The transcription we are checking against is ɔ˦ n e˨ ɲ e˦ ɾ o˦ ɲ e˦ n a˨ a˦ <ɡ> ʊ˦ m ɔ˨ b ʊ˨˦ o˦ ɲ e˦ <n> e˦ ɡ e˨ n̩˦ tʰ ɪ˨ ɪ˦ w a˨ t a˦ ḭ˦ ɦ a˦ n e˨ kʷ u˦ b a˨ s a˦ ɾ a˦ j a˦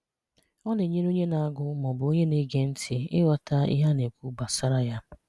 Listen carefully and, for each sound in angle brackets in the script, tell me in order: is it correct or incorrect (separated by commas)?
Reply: correct, correct